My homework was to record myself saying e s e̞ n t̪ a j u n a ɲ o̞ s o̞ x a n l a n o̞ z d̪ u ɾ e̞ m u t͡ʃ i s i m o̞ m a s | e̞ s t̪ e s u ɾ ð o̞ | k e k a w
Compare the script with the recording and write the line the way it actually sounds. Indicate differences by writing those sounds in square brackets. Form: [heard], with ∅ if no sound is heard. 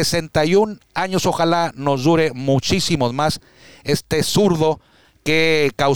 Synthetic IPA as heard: e s e̞ n t̪ a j u n a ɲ o̞ s o̞ x a [∅] l a n o̞ z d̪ u ɾ e̞ m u t͡ʃ i s i m o̞ m a s | e̞ s t̪ e s u ɾ ð o̞ | k e k a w